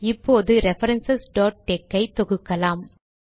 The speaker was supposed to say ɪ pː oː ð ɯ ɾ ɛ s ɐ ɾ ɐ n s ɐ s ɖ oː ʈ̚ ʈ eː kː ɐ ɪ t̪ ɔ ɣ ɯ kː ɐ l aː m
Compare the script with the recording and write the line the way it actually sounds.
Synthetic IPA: ɪ pː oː ð ɯ ɾ ɛ f ɐ ɾ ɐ n s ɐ s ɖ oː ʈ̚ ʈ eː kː ɐ ɪ t̪ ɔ ɣ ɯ kː ɐ l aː m